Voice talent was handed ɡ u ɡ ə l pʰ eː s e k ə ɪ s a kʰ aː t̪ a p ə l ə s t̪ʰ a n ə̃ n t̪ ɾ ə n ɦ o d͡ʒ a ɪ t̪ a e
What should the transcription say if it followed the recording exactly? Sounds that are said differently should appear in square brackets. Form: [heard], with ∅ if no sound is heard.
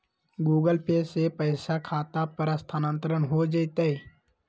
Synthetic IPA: ɡ [uː] ɡ ə l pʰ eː s e [p] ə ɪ s a kʰ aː t̪ a p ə [ɾ] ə s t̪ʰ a n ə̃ n t̪ ɾ ə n ɦ o d͡ʒ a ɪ t̪ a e

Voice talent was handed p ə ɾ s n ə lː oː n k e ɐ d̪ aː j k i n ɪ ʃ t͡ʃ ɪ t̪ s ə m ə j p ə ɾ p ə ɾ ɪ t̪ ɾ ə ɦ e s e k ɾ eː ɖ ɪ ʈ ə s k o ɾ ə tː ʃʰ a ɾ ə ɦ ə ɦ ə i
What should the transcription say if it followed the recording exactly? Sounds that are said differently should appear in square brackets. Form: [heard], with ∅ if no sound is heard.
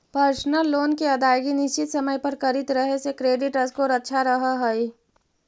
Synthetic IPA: p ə ɾ s n ə lː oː n k e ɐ d̪ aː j [ɡ] i n ɪ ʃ t͡ʃ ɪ t̪ s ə m ə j p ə ɾ [k] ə ɾ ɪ t̪ ɾ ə ɦ e s e k ɾ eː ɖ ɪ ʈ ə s k o ɾ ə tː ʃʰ a ɾ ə ɦ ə ɦ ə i

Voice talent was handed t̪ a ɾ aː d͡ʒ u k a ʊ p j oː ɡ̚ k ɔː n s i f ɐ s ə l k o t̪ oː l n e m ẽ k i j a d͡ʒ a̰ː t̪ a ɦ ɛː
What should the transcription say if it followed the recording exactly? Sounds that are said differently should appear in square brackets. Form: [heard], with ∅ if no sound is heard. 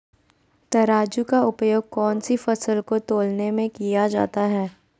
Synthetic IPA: t̪ [ɐ] ɾ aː d͡ʒ u k a ʊ p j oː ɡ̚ k ɔː n s i f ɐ s ə l k o t̪ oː l n e m ẽ k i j a d͡ʒ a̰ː t̪ a ɦ ɛː

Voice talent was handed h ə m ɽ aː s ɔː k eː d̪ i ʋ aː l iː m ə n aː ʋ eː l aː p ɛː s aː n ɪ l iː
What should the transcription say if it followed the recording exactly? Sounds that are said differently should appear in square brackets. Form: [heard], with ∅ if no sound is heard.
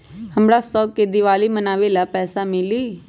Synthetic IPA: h ə m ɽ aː s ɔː k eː d̪ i ʋ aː l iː m ə n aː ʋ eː l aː p ɛː s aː [m] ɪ l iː

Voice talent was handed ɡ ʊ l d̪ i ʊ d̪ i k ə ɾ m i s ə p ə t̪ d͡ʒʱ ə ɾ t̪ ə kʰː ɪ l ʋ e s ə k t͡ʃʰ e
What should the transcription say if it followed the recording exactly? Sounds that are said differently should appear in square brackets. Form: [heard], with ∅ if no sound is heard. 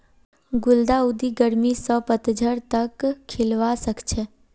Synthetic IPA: ɡ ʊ l d̪ [a] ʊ d̪ i [ɡ] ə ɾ m i s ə p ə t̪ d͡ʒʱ ə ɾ t̪ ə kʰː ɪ l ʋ [a] s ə k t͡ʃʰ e

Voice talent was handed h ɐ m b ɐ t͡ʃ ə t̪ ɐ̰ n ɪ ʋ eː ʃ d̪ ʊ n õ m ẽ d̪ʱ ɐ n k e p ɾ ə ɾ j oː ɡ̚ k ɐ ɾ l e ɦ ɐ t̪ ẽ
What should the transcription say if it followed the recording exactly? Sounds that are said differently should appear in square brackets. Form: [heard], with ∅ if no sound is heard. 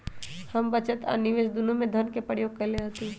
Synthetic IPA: h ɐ m b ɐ t͡ʃ ə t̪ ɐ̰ n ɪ ʋ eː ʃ d̪ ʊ n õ m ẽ d̪ʱ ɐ n k e p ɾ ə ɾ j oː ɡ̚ k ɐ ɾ l e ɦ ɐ t̪ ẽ

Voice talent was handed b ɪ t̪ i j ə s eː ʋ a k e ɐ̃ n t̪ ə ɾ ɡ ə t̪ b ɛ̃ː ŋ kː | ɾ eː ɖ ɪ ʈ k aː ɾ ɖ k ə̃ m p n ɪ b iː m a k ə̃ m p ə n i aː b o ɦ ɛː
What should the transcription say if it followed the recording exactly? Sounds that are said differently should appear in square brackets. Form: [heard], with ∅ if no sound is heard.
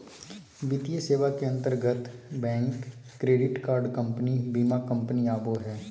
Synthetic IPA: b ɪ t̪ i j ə s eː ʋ a k e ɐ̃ n t̪ ə ɾ ɡ ə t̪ b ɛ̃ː ŋ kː | ɾ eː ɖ ɪ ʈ k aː ɾ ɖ k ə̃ m p n [i] b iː m a k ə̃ m p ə n i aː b o ɦ ɛː

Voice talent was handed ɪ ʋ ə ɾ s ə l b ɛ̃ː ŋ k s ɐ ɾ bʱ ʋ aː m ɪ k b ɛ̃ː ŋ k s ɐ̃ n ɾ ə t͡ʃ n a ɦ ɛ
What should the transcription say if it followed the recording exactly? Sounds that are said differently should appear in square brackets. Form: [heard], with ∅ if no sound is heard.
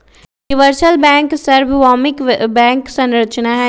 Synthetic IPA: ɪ ʋ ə ɾ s ə l b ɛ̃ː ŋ k s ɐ ɾ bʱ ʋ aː m ɪ k b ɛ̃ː ŋ k s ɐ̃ n ɾ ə t͡ʃ n a ɦ ɛ

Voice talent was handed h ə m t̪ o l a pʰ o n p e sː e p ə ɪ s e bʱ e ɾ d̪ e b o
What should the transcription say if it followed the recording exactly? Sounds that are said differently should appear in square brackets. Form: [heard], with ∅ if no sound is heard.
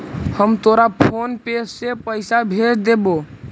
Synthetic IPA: h ə m t̪ o [ɾ] a pʰ o n p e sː e p ə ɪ s [a] bʱ e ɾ d̪ e b o

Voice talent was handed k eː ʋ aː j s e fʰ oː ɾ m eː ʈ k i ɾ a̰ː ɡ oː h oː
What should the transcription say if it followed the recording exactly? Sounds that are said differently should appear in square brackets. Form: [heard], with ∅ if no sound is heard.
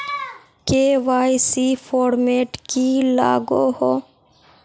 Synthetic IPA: k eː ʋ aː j s [i] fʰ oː ɾ m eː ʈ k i [l] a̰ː ɡ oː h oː

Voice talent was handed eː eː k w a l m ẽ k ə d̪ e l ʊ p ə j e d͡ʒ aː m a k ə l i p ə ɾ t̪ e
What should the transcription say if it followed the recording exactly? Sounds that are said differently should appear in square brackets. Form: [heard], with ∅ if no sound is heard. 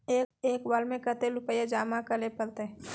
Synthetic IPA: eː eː k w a l m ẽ k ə [t̪] e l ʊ p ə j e d͡ʒ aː m a k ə l [e] p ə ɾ t̪ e

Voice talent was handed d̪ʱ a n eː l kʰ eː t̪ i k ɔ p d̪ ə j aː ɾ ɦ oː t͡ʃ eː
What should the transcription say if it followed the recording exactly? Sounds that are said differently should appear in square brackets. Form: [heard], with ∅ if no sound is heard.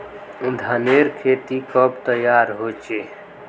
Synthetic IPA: d̪ʱ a n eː [ɾ] kʰ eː t̪ i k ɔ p [t̪] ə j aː ɾ ɦ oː t͡ʃ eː

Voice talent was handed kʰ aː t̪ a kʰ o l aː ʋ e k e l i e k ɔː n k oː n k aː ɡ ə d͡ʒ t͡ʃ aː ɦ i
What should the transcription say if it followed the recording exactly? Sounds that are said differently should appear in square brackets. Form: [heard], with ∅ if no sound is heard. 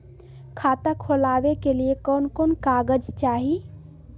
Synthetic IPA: kʰ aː t̪ a kʰ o l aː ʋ e k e l i e k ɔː n k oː n k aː ɡ ə d͡ʒ t͡ʃ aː ɦ i

